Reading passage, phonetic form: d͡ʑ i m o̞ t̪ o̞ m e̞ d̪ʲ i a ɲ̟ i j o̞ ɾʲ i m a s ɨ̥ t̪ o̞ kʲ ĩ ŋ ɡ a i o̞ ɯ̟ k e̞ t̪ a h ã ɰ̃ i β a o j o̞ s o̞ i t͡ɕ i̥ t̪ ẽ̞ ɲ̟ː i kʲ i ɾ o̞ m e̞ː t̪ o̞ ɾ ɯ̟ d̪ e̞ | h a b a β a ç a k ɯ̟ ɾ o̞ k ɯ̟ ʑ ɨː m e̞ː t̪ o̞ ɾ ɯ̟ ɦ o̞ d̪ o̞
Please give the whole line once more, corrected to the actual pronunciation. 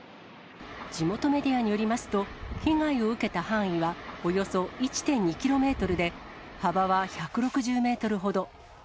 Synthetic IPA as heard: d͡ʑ i m o̞ t̪ o̞ m e̞ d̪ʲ i a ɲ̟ i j o̞ ɾʲ i m a s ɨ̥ t̪ o̞ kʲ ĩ ŋ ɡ a i o̞ ɯ̟ k e̞ t̪ a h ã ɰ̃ i β a o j o̞ s o̞ i t͡ɕ i̥ t̪ ẽ̞ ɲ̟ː i kʲ i ɾ o̞ m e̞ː t̪ o̞ ɾ ɯ̟ d̪ e̞ | h a b a β a ç a k ɯ̟ ɾ o̞ k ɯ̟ ʑ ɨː m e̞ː t̪ o̞ ɾ ɯ̟ ɦ o̞ d̪ o̞